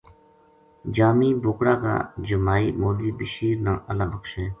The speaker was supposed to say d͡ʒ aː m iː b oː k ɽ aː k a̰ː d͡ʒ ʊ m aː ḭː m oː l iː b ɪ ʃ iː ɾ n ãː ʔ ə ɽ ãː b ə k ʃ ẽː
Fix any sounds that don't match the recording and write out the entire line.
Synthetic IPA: d͡ʒ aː m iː b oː k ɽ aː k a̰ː d͡ʒ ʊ m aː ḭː m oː l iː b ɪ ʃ iː ɾ n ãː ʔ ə l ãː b ə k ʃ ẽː